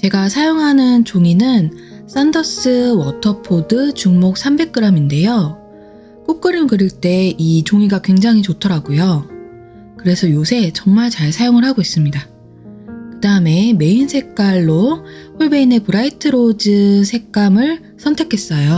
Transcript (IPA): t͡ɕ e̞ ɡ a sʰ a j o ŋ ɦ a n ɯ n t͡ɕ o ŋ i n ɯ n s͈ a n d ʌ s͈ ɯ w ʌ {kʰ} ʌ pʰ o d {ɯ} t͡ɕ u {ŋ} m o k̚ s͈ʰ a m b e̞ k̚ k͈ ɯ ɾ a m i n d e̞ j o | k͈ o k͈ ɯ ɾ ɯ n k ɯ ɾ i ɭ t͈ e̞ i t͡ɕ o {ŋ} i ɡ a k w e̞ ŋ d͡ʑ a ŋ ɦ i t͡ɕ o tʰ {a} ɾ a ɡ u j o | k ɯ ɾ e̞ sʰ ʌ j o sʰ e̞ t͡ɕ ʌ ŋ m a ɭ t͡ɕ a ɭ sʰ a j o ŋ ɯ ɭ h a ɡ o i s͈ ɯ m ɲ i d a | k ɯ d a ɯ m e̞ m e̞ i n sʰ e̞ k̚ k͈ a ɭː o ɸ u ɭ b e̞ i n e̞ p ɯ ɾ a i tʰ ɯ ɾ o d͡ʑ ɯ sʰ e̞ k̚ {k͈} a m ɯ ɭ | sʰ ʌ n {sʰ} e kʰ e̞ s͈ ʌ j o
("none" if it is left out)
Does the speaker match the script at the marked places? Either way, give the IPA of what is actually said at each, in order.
tʰ, ɯ, ŋ, ŋ, ʌ, k͈, tʰ

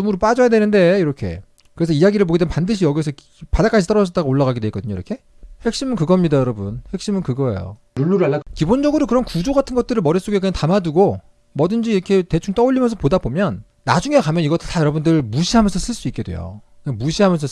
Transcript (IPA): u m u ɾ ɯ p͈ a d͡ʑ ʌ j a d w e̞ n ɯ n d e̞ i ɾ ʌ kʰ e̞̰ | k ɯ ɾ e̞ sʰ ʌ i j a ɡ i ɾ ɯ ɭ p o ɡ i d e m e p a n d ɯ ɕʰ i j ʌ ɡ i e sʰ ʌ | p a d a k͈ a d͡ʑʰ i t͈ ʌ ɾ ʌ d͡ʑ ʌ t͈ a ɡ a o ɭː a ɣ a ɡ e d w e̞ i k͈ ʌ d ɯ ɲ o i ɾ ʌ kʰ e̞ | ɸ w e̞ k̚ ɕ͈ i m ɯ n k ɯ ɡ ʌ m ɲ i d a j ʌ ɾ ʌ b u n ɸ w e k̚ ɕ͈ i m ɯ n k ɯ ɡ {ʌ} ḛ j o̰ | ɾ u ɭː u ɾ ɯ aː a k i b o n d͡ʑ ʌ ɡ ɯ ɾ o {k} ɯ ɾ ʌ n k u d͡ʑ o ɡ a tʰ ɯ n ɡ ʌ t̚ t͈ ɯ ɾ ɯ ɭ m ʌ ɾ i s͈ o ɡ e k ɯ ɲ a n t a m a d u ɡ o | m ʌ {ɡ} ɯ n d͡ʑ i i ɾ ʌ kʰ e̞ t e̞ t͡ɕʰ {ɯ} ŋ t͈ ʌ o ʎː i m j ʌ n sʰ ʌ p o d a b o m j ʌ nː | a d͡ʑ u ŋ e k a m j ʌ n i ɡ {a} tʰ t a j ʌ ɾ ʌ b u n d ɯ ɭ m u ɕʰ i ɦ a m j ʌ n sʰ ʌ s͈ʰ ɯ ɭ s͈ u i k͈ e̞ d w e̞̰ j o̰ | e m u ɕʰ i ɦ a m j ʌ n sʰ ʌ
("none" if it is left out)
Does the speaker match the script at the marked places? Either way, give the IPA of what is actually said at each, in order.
ʌ, k, d, u, ʌ

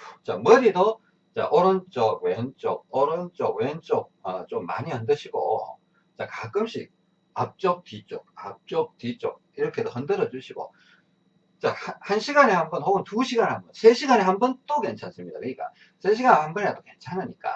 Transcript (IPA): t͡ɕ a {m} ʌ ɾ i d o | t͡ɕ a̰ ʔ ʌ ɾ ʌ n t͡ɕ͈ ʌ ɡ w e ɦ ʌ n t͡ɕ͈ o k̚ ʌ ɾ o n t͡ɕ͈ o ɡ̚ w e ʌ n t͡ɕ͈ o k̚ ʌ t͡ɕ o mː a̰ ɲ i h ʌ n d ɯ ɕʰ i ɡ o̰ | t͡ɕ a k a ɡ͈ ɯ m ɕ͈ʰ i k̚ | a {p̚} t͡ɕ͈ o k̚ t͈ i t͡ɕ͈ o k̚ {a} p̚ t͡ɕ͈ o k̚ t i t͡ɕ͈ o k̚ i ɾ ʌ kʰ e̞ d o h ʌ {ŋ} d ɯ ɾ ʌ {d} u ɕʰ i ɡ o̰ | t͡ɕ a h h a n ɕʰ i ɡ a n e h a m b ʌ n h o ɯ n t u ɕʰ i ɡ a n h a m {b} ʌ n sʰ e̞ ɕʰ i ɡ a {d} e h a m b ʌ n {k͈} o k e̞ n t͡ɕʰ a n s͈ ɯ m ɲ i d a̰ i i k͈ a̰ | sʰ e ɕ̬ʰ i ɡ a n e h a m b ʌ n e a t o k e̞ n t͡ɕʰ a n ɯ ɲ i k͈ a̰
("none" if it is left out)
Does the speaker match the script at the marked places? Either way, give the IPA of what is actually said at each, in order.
m, p̚, a, n, d͡ʑ, b, n, t͈

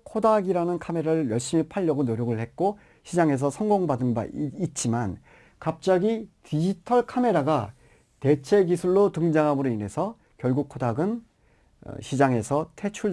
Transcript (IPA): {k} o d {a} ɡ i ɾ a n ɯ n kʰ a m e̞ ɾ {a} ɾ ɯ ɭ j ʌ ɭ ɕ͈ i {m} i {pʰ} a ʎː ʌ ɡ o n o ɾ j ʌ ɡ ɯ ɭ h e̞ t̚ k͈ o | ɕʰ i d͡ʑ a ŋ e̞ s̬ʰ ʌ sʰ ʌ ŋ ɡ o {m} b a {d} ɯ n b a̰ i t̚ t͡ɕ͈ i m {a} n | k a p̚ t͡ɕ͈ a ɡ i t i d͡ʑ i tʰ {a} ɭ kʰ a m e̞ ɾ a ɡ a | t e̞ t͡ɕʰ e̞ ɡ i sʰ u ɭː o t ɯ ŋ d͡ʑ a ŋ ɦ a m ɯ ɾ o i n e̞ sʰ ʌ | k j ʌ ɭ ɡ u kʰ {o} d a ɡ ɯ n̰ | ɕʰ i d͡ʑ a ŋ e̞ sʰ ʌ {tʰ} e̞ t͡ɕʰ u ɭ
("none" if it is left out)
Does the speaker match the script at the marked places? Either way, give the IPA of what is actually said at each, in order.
kʰ, a, a, m, pʰ, ŋ, d, a, ʌ, o, tʰ

